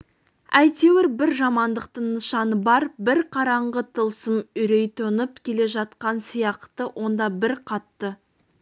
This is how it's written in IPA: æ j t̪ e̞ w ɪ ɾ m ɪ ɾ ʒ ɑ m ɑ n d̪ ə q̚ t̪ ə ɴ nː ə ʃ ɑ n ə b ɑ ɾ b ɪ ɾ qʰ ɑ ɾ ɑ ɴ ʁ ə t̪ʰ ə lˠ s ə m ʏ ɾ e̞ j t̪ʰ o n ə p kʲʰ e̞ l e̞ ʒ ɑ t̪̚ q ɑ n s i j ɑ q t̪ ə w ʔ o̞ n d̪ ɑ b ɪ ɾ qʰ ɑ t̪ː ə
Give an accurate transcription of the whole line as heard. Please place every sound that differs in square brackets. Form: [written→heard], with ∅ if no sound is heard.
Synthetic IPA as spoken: æ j t̪ e̞ w ɪ ɾ [m→b] ɪ ɾ ʒ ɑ m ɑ n d̪ ə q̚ t̪ ə ɴ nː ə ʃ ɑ n ə b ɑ ɾ b ɪ ɾ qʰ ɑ ɾ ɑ ɴ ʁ ə t̪ʰ ə lˠ s ə m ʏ ɾ e̞ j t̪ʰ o n ə p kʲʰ e̞ l e̞ ʒ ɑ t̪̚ q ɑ n s i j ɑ q t̪ ə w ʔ o̞ n d̪ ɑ b ɪ ɾ qʰ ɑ t̪ː ə

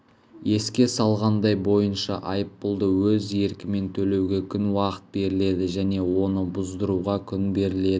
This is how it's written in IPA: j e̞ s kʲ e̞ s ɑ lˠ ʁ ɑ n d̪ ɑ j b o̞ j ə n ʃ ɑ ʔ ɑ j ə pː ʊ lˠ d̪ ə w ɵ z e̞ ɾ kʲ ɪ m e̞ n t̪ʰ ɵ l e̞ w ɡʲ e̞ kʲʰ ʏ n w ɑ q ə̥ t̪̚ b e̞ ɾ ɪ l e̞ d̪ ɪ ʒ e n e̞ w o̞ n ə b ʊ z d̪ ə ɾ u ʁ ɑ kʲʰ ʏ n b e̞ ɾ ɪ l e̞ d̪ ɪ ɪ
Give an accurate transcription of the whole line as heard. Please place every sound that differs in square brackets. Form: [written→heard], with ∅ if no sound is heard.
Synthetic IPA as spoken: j e̞ s kʲ e̞ s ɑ lˠ ʁ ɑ n d̪ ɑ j b o̞ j ə n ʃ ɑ ʔ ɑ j ə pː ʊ lˠ d̪ ə w ɵ z e̞ ɾ kʲ ɪ m e̞ n t̪ʰ ɵ l e̞ w ɡʲ e̞ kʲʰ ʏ n w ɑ q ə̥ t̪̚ b e̞ ɾ ɪ l e̞ d̪ ɪ ʒ [e→æ] n e̞ w o̞ n ə b ʊ z d̪ ə ɾ u ʁ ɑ kʲʰ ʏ n b e̞ ɾ ɪ l e̞ d̪ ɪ ɪ

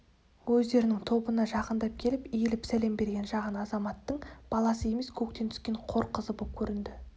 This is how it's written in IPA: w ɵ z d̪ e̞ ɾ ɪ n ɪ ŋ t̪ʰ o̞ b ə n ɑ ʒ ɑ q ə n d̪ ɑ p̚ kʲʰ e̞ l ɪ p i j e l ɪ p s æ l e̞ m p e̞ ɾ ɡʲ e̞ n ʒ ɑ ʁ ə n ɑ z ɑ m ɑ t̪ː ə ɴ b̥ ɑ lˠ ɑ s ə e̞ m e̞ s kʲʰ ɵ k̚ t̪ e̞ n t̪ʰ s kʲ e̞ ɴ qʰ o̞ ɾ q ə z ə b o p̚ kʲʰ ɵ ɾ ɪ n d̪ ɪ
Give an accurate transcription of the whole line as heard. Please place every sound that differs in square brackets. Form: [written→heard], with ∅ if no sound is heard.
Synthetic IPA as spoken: w ɵ z d̪ e̞ ɾ ɪ n ɪ ŋ t̪ʰ o̞ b ə n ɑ ʒ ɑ q ə n d̪ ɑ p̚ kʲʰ e̞ l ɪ p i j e l ɪ p s æ l e̞ m [p→b] e̞ ɾ ɡʲ e̞ n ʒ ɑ ʁ ə n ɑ z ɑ m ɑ t̪ː ə ɴ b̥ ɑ lˠ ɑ s ə e̞ m e̞ s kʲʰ ɵ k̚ t̪ e̞ n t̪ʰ s kʲ e̞ ɴ qʰ o̞ ɾ q ə z ə b o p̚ kʲʰ ɵ ɾ ɪ n d̪ ɪ

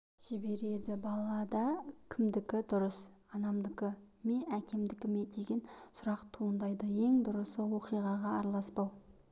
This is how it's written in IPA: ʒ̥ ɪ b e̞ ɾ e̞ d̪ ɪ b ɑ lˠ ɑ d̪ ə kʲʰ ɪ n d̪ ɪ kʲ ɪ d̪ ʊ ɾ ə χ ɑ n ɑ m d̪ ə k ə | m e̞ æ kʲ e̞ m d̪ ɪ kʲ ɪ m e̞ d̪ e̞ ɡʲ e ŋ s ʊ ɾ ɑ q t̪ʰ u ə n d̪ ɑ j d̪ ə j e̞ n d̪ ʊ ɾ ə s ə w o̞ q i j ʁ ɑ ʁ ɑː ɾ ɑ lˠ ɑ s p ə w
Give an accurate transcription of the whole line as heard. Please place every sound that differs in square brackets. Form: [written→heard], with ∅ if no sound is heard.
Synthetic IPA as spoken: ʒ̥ ɪ b e̞ ɾ e̞ d̪ ɪ b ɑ lˠ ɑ d̪ [ə→ɑ] kʲʰ ɪ [n→m] d̪ ɪ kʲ ɪ d̪ ʊ ɾ ə [χ→s] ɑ n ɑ m d̪ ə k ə | m e̞ æ kʲ e̞ m d̪ ɪ kʲ ɪ m e̞ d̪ e̞ ɡʲ e [ŋ→n] s ʊ ɾ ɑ q t̪ʰ u ə n d̪ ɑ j d̪ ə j e̞ [n→ŋ] d̪ ʊ ɾ ə s ə w o̞ q i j ʁ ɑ ʁ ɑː ɾ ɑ lˠ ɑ s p [ə→ɑ] w

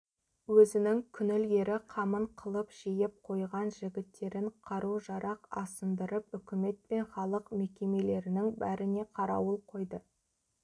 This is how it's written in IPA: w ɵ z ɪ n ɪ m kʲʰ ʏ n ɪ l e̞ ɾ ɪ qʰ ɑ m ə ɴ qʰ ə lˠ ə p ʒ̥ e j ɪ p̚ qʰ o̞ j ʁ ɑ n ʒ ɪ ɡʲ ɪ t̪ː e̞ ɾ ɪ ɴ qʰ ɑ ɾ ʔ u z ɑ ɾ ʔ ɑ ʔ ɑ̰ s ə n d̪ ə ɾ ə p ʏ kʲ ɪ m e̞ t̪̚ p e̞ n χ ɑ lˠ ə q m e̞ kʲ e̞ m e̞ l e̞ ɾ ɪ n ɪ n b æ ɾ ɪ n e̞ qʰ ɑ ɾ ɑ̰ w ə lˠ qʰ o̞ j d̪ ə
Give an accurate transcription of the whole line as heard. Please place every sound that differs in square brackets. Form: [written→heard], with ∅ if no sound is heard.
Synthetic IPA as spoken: w ɵ z ɪ n ɪ [m→ŋ] kʲʰ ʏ n ɪ l e̞ ɾ ɪ qʰ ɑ m ə ɴ qʰ ə lˠ ə p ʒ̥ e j ɪ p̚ qʰ o̞ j ʁ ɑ n ʒ ɪ ɡʲ ɪ t̪ː e̞ ɾ ɪ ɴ qʰ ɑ ɾ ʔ u [z→ʒ] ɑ ɾ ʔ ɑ [ʔ→q] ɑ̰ s ə n d̪ ə ɾ ə p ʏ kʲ ɪ m e̞ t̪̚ p e̞ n χ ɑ lˠ ə q m e̞ kʲ e̞ m e̞ l e̞ ɾ ɪ n ɪ [n→ŋ] b æ ɾ ɪ n e̞ qʰ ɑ ɾ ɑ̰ w ə lˠ qʰ o̞ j d̪ ə

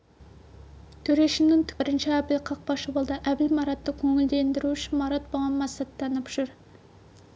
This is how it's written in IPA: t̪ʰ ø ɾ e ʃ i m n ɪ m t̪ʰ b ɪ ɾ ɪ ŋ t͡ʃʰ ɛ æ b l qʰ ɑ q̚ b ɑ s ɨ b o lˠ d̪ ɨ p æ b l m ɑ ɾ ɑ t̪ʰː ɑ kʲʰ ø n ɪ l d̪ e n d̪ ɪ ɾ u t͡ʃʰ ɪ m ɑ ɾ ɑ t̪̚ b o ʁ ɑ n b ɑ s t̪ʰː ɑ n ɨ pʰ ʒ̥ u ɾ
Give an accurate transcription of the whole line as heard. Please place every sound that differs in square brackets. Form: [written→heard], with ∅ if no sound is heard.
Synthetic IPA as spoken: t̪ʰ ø ɾ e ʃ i m n ɪ [m→ŋ] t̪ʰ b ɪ ɾ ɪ [ŋ→n] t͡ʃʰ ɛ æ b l qʰ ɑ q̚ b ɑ [s→ʃ] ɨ b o lˠ d̪ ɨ [p→ʔ] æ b l m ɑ ɾ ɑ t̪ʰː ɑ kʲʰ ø [n→ŋ] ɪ l d̪ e n d̪ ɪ ɾ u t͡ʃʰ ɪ m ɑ ɾ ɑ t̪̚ b o ʁ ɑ n [b→m] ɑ s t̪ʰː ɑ n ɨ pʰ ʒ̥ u ɾ

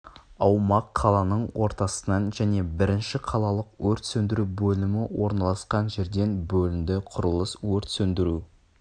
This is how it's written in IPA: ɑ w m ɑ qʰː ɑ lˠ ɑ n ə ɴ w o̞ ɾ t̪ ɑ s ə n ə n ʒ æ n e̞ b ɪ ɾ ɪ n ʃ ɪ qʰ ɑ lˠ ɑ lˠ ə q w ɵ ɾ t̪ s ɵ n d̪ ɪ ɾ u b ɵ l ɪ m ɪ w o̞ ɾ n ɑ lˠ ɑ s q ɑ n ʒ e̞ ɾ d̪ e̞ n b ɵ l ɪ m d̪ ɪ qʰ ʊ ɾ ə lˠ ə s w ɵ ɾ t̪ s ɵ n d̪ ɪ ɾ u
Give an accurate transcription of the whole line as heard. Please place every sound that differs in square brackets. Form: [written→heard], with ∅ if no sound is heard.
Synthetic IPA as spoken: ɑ w m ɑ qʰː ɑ lˠ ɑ n ə ɴ w o̞ ɾ t̪ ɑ s ə n [ə→ɑ] n ʒ æ n e̞ b ɪ ɾ ɪ n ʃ ɪ qʰ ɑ lˠ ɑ lˠ ə q w ɵ ɾ t̪ s ɵ n d̪ ɪ ɾ u b ɵ l ɪ m ɪ w o̞ ɾ n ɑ lˠ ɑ s q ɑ n ʒ e̞ ɾ d̪ e̞ n b ɵ l ɪ m d̪ ɪ qʰ ʊ ɾ ə lˠ ə s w ɵ ɾ t̪ s ɵ n d̪ ɪ ɾ u

